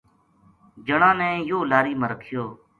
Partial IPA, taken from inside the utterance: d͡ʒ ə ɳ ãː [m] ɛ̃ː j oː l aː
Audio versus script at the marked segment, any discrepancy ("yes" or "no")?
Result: yes